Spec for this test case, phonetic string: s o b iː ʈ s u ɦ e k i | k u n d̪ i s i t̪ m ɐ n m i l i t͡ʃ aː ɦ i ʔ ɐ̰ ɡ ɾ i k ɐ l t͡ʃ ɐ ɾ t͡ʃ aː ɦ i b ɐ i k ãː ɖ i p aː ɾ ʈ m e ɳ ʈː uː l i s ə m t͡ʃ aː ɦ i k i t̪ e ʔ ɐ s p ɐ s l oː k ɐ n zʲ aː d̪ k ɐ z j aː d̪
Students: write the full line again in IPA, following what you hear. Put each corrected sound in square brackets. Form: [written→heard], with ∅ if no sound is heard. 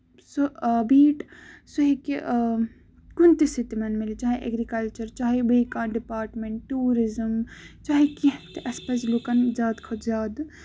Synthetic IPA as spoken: s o b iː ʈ s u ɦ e k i | k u n [d̪→t̪] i s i t̪ m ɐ n m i l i t͡ʃ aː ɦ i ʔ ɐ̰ ɡ ɾ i k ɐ l t͡ʃ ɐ ɾ t͡ʃ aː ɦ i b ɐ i k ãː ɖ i p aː ɾ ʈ m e ɳ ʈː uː [l→ɾ] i [s→z] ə m t͡ʃ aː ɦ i k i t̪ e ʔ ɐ s p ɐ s l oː k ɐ n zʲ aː d̪ [k→kʰ] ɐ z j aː d̪